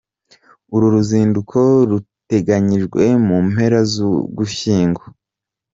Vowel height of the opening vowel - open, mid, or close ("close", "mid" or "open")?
close